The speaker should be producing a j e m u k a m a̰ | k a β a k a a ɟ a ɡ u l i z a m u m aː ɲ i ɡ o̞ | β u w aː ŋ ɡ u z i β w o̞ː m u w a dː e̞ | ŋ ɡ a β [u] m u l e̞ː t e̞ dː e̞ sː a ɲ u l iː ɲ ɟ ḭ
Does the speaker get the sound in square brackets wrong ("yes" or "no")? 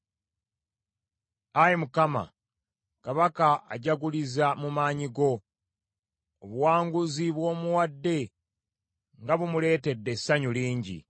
no